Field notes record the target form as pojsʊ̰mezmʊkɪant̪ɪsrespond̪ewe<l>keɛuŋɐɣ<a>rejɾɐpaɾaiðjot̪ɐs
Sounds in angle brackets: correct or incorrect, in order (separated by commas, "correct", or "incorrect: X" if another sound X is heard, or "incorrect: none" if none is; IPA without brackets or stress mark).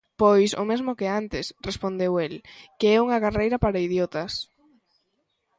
correct, correct